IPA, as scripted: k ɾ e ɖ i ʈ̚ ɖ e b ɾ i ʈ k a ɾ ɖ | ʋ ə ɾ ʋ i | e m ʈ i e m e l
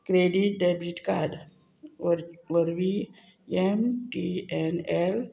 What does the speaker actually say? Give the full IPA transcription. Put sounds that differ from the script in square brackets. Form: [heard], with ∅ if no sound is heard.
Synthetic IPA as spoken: k ɾ e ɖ i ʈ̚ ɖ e b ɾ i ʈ k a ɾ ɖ | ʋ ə ɾ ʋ i | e m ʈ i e [n] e l